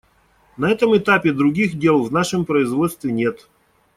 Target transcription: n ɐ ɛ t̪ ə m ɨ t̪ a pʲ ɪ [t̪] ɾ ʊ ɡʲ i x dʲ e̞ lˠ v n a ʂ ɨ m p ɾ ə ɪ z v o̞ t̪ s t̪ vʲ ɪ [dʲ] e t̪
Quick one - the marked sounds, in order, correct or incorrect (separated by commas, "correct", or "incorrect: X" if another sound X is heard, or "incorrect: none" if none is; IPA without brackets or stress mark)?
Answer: incorrect: d̪, incorrect: nʲ